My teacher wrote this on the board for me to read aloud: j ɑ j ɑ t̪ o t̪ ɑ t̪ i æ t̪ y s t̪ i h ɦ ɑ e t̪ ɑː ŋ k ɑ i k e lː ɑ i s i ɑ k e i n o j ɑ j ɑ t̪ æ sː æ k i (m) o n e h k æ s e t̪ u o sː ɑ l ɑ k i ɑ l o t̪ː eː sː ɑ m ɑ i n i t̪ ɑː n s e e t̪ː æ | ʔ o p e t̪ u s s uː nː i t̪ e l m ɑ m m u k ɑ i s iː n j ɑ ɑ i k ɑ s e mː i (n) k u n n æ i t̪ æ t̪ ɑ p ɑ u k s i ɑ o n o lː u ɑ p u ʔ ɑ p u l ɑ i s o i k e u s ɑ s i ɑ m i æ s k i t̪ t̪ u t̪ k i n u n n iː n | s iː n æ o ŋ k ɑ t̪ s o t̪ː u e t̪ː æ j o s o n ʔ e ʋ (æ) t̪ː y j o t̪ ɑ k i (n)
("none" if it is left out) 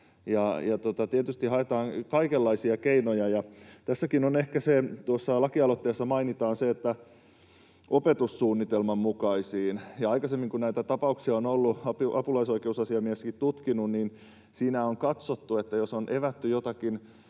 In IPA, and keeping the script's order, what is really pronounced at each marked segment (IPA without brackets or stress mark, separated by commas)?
n, ŋ, æ, n